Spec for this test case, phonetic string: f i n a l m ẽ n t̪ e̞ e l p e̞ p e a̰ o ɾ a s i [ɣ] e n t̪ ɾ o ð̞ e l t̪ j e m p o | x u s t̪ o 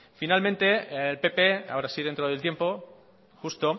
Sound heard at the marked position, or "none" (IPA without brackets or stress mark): ð